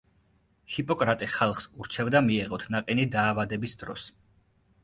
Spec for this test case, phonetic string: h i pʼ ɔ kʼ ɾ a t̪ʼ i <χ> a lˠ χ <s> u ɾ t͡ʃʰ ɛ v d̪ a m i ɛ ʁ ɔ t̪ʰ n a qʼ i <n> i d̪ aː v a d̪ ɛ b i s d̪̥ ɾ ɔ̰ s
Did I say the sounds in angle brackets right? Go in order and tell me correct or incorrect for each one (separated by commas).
correct, correct, correct